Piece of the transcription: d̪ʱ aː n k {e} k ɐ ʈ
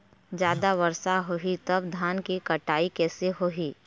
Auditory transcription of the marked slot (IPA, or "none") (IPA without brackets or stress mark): i